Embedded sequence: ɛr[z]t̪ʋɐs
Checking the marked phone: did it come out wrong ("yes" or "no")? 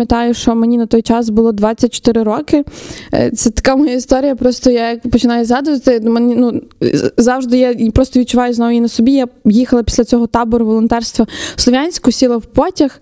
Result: yes